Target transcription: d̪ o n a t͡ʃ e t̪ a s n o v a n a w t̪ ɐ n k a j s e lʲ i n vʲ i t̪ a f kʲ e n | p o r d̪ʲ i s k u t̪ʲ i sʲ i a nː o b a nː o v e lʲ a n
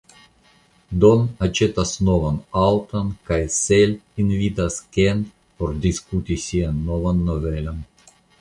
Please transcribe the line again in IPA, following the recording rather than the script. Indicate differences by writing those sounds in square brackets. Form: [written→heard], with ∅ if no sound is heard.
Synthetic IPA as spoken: d̪ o n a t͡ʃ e t̪ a s n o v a n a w t̪ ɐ n k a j s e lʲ i n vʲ i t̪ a [f→s] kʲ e n | p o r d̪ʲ i s k u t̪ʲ i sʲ i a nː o [b→v] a nː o v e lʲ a n